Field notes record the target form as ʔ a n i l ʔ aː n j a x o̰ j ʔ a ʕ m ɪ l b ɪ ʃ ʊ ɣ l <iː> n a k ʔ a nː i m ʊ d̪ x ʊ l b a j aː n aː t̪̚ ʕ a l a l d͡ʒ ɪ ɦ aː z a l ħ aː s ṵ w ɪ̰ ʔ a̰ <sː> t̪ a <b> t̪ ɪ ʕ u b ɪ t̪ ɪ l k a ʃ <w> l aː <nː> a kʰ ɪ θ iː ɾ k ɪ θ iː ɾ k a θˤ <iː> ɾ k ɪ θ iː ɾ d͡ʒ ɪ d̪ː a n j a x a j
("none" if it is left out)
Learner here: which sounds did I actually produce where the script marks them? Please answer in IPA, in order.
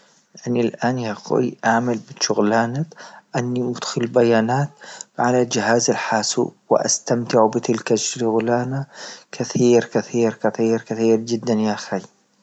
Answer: aː, s, m, ɣ, n, iː

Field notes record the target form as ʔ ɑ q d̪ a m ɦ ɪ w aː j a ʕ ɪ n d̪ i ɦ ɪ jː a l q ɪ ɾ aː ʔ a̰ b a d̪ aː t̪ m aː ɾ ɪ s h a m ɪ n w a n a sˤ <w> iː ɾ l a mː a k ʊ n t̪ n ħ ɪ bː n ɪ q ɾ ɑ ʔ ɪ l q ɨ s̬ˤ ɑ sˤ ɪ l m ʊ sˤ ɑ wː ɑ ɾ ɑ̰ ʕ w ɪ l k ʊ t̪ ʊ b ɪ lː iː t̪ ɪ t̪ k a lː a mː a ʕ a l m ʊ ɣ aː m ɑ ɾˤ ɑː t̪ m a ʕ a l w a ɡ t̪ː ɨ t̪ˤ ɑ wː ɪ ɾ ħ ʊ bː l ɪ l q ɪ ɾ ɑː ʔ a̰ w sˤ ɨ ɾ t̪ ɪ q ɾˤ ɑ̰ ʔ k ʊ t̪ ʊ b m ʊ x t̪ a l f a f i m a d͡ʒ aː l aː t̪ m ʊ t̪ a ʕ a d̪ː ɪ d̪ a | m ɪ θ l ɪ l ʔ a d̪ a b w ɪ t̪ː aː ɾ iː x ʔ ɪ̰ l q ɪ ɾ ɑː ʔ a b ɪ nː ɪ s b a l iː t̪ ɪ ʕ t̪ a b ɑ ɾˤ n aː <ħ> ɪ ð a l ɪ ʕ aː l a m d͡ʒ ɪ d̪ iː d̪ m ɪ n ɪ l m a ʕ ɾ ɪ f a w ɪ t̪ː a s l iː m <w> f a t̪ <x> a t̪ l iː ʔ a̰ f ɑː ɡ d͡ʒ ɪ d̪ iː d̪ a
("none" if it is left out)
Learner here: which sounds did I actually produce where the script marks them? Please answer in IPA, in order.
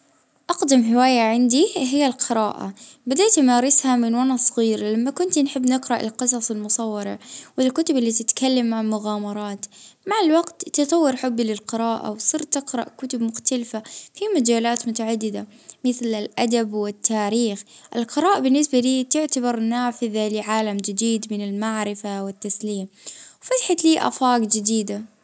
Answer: ɣ, f, w, ħ

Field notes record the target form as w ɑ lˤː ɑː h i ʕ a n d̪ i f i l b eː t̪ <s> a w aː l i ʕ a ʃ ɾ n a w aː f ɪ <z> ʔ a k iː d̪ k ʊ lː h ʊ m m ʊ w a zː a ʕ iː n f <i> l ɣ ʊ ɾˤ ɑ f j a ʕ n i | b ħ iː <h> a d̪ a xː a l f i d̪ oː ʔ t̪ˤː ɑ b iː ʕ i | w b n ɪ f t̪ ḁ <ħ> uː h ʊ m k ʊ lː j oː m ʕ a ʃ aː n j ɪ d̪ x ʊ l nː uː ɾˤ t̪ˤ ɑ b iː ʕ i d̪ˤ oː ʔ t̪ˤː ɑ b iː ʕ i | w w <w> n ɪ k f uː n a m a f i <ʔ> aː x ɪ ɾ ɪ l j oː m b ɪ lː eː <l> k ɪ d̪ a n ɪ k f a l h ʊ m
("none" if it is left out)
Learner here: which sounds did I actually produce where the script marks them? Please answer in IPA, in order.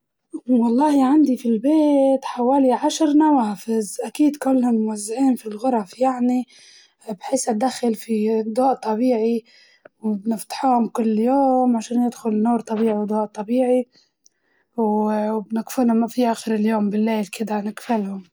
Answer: ħ, z, i, s, ħ, b, ʔ, l

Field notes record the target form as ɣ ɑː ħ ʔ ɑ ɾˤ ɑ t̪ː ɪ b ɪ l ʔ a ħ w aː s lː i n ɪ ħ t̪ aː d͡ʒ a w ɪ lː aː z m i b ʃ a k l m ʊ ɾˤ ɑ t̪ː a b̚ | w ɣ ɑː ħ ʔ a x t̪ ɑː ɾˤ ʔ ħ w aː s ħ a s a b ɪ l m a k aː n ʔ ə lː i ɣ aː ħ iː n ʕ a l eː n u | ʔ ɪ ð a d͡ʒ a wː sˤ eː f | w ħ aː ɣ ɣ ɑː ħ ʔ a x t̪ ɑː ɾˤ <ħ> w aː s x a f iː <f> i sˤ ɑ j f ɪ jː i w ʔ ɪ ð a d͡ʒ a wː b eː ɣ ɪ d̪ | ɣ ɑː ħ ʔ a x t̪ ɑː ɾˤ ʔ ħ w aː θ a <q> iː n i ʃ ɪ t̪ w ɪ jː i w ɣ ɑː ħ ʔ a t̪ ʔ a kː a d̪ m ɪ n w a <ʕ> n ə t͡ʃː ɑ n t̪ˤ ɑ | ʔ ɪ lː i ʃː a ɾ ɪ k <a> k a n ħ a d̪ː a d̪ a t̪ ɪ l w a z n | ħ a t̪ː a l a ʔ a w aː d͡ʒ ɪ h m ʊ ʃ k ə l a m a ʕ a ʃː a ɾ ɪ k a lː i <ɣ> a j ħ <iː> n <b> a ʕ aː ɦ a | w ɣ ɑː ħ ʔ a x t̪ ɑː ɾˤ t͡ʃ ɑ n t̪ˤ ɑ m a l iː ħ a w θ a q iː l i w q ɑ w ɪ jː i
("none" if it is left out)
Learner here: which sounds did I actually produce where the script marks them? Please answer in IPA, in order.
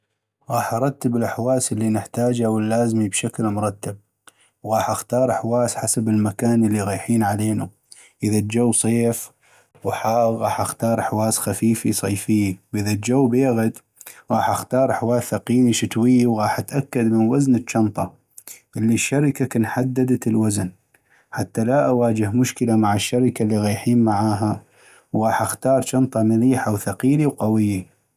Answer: ħ, f, q, z, a, ɣ, iː, m

